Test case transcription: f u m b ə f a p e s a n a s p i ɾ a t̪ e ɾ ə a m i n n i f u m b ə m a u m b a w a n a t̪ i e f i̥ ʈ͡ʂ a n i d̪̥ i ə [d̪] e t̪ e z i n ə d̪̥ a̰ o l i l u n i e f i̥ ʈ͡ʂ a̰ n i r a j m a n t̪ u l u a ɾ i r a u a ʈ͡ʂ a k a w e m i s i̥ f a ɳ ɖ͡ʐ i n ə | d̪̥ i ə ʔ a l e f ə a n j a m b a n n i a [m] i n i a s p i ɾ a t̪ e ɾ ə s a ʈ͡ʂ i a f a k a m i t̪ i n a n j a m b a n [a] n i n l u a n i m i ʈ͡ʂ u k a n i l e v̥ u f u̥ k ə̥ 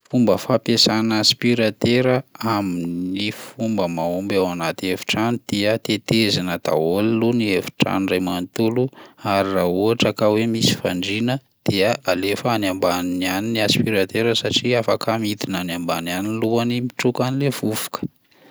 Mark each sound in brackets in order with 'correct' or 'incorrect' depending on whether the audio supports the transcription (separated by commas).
incorrect, incorrect, correct